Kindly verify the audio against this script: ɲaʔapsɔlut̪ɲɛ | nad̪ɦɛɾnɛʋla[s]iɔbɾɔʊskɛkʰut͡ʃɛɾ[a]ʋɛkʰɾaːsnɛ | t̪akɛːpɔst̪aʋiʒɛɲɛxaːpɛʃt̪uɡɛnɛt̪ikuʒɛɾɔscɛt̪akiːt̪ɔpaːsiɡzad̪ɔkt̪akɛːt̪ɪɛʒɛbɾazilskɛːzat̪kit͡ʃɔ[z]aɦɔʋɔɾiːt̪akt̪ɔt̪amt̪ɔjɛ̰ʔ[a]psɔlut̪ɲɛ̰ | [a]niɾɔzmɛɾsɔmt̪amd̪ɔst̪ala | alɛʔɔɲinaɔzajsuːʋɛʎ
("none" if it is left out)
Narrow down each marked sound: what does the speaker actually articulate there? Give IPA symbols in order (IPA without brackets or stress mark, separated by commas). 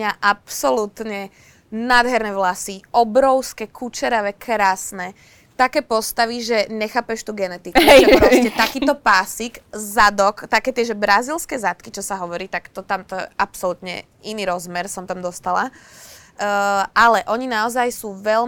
s, a, s, a, i